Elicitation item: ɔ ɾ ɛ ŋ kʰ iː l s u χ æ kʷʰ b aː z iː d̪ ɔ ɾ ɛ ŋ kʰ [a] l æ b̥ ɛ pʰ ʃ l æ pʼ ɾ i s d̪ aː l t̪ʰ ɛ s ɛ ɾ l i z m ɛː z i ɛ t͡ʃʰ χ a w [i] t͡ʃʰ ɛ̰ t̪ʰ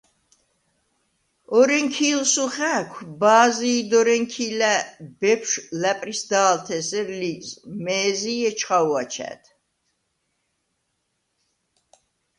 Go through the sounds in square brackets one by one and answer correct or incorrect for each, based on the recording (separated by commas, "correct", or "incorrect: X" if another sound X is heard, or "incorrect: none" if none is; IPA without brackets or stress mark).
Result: incorrect: i, incorrect: a